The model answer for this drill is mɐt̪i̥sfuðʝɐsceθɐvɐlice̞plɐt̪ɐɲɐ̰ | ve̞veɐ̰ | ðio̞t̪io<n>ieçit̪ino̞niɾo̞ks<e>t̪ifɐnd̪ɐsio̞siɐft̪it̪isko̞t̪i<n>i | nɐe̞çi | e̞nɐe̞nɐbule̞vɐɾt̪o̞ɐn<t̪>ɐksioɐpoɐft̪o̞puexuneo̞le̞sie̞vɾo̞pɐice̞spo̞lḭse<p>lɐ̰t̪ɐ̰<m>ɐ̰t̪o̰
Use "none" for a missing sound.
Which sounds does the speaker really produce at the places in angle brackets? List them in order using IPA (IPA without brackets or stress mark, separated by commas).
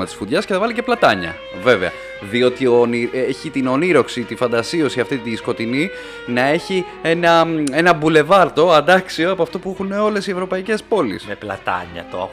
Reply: n, i, n, d̪, p, ɲ